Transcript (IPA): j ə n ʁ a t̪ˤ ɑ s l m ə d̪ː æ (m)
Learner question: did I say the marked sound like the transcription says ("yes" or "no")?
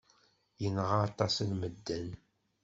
no